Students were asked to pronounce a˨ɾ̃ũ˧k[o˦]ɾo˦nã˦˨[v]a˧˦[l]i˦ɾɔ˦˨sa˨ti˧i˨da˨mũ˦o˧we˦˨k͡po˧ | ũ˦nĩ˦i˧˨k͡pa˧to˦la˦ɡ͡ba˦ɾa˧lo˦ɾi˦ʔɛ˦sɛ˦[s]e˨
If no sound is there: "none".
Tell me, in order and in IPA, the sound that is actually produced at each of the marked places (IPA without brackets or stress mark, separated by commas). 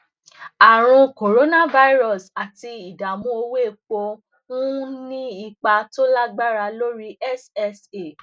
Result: o˨, v, none, s